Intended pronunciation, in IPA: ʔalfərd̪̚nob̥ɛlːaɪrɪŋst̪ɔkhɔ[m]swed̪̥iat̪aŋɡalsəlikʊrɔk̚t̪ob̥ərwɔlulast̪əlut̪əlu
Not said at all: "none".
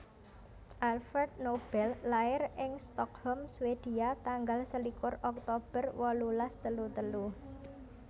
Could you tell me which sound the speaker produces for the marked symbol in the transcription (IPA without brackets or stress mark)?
m